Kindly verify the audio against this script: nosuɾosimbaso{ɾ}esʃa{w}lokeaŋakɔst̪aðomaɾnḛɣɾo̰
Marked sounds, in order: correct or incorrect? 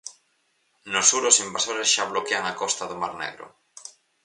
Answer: correct, incorrect

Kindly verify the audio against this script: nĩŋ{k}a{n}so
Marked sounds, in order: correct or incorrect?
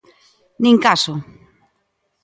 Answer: correct, incorrect

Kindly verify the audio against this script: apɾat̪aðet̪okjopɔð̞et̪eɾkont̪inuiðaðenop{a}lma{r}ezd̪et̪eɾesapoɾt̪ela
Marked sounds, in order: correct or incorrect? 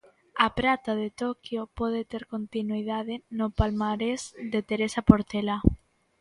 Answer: correct, incorrect

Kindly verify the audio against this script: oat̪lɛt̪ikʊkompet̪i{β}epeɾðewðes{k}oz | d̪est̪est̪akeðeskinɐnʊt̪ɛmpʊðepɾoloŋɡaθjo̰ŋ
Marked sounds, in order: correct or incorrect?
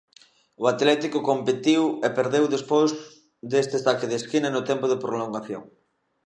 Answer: incorrect, incorrect

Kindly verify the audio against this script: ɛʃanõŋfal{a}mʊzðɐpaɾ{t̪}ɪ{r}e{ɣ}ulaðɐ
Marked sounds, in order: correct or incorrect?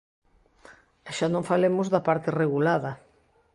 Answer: incorrect, correct, correct, correct

